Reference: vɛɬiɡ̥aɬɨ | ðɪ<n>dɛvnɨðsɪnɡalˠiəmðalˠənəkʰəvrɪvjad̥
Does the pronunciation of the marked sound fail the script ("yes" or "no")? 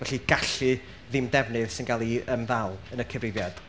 yes